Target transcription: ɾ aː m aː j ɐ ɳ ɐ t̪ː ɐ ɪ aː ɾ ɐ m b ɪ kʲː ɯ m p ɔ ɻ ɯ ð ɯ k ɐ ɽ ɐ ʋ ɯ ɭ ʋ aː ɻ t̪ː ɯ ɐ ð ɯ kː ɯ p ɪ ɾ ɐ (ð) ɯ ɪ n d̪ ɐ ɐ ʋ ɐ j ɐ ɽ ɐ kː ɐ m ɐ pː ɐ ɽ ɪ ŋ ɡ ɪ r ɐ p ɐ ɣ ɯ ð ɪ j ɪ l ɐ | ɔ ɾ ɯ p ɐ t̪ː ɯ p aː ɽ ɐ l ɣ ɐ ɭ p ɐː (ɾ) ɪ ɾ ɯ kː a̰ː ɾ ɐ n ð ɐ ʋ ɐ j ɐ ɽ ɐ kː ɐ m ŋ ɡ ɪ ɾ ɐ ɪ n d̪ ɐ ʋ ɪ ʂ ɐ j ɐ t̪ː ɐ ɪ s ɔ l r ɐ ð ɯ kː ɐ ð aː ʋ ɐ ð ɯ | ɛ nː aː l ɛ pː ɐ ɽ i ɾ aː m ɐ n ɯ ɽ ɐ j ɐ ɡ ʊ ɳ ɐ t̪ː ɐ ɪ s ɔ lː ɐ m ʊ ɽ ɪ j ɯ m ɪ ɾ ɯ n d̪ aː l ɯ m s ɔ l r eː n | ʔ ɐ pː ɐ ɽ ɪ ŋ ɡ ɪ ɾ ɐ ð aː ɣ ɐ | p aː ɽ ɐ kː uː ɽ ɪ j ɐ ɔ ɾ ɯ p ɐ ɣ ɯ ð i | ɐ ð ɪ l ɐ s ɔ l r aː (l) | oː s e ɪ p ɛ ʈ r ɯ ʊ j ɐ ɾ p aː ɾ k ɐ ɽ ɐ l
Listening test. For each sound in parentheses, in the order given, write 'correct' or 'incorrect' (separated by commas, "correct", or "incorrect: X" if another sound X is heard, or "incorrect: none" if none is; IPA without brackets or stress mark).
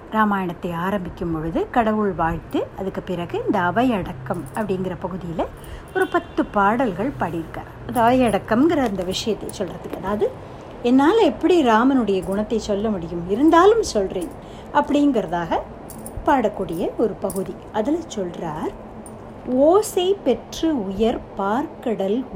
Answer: incorrect: ɣ, incorrect: ɽ, incorrect: ɾ